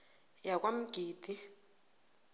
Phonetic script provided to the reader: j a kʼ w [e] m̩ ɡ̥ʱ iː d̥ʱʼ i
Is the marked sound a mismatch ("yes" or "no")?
yes